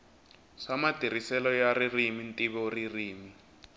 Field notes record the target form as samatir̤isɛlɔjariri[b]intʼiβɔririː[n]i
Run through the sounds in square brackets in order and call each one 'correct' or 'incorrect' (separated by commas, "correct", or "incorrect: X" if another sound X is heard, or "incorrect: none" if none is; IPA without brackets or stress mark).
incorrect: m, incorrect: m